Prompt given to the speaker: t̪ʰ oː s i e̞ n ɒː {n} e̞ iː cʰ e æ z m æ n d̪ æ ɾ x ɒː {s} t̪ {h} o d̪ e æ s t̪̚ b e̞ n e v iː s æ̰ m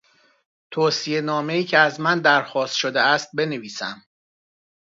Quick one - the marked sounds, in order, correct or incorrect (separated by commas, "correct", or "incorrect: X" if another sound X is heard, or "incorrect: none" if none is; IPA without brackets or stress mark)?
incorrect: m, correct, incorrect: ʃ